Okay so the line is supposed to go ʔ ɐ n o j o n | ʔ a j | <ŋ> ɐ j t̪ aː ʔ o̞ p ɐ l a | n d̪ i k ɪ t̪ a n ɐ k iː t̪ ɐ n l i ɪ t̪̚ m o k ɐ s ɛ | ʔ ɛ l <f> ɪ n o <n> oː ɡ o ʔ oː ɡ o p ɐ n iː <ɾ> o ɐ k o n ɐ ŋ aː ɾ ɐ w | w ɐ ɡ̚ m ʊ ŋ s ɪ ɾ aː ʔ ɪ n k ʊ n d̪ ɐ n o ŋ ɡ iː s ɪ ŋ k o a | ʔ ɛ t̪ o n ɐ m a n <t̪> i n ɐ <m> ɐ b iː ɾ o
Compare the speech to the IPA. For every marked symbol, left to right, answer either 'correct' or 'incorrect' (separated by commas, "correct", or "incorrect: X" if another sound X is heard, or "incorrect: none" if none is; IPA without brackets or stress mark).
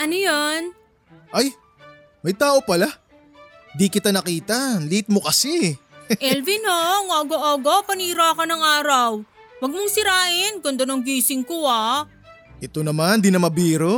incorrect: m, incorrect: v, incorrect: ŋ, correct, incorrect: d̪, correct